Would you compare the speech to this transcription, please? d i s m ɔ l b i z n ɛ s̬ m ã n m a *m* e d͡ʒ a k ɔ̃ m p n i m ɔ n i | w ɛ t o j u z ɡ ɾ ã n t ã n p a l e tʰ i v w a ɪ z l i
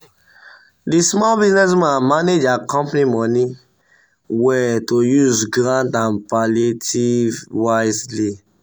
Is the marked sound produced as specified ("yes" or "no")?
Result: no